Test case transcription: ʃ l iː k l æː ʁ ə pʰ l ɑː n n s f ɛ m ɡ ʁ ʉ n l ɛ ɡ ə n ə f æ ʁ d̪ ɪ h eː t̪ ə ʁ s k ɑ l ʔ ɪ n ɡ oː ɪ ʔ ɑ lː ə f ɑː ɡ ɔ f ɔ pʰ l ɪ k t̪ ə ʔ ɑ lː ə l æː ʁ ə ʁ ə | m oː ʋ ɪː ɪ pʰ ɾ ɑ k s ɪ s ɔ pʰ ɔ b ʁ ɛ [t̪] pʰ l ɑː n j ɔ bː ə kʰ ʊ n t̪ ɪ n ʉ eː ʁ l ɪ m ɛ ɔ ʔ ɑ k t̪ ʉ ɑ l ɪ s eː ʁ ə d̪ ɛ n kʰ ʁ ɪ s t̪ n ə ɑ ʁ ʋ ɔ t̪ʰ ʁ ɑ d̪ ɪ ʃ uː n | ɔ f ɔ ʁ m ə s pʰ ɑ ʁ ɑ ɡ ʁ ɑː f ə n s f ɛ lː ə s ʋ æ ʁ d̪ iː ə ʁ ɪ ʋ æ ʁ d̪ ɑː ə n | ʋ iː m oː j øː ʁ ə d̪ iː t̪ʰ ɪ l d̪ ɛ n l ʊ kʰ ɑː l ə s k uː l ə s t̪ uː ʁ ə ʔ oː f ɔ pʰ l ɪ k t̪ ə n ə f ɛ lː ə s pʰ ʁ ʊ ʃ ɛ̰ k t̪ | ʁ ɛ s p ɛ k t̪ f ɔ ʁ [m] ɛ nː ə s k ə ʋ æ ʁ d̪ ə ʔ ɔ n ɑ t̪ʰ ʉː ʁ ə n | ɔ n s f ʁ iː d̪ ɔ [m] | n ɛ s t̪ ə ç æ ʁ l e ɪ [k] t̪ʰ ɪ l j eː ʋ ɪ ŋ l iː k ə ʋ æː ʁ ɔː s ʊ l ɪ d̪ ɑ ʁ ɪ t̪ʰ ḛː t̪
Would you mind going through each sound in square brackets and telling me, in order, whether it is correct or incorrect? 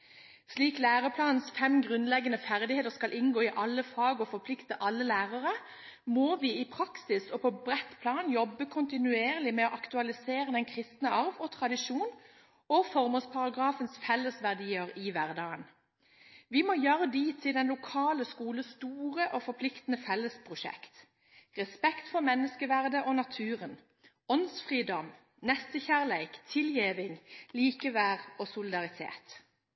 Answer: correct, correct, correct, correct

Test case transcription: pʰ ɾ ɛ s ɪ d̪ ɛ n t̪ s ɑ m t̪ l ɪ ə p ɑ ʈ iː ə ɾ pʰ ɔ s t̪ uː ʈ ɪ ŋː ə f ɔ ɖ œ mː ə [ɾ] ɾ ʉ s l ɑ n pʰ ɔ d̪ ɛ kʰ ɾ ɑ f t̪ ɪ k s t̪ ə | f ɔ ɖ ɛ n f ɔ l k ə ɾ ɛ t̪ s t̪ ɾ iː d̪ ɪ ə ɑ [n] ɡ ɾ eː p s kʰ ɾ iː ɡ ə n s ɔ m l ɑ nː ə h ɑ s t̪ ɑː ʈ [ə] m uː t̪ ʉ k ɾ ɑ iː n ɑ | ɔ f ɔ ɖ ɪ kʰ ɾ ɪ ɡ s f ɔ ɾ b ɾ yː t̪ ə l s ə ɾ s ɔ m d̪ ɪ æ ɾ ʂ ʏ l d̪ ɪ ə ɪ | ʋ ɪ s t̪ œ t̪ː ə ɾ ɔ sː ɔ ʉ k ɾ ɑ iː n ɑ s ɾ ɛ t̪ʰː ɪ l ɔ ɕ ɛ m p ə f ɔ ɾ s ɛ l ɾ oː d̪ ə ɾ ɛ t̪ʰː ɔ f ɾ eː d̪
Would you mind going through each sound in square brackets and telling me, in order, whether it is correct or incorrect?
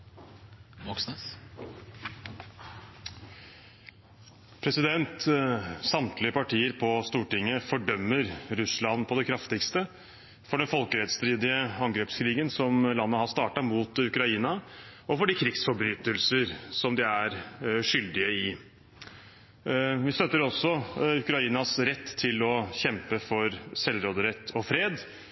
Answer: correct, incorrect: ŋ, incorrect: ɑ

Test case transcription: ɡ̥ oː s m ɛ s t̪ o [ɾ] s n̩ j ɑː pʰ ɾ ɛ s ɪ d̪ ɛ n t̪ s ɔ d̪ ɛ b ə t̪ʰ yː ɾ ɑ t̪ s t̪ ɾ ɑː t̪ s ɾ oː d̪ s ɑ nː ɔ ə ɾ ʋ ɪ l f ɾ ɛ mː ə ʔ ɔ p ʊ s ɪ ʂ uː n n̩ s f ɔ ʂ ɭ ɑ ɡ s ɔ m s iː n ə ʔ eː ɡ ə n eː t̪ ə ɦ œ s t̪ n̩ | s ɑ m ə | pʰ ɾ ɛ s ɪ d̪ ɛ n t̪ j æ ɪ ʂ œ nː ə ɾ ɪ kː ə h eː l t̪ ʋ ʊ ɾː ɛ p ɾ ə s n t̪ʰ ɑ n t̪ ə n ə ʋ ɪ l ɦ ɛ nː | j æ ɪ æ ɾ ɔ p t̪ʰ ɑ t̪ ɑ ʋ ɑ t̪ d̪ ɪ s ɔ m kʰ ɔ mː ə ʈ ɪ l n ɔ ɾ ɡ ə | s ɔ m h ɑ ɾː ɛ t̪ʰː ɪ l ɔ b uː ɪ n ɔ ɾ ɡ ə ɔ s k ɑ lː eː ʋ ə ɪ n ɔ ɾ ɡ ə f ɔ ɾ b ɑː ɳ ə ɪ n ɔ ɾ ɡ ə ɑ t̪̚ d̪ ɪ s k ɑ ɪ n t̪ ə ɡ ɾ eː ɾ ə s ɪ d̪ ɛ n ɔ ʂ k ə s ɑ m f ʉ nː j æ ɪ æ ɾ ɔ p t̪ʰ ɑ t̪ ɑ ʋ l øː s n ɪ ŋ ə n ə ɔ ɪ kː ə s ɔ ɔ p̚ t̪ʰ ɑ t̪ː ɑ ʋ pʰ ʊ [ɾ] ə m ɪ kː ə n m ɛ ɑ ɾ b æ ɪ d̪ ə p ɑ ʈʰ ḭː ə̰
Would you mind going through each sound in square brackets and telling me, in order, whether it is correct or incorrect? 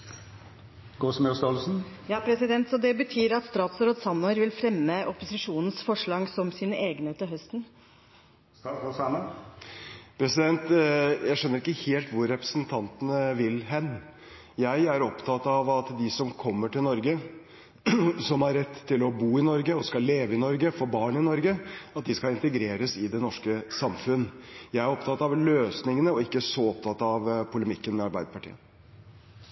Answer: incorrect: l, incorrect: l

